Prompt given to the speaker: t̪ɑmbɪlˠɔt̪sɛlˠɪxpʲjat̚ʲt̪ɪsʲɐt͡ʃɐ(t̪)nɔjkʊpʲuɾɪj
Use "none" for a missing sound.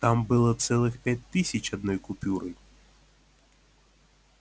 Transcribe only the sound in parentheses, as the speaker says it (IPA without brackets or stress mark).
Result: d̪